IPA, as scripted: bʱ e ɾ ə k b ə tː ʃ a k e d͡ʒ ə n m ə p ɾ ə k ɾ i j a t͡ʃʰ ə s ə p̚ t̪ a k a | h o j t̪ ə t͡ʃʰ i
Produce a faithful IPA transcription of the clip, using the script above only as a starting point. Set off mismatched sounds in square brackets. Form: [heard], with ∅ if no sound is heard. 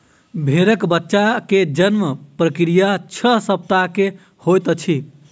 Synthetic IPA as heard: bʱ e ɾ ə k b ə tː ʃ a k e d͡ʒ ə n m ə p ɾ ə k ɾ i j a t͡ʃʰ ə s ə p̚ t̪ a k [e] | h o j t̪ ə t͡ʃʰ i